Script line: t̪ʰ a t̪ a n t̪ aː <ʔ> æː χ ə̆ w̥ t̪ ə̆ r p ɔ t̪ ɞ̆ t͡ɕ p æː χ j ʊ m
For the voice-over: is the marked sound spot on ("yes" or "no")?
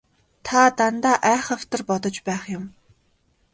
yes